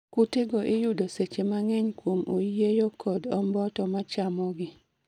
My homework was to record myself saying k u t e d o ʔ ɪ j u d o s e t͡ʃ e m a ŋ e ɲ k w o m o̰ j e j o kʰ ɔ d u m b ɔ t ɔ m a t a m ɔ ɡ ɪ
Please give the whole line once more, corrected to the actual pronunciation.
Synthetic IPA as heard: k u t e ɡ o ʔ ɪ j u d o s e t͡ʃ e m a ŋ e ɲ k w o m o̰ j e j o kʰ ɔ d ɔ m b ɔ t ɔ m a t͡ʃ a m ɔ ɡ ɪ